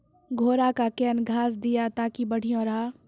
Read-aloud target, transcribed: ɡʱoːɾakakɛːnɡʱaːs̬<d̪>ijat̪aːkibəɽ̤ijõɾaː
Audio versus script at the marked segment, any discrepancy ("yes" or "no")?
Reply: no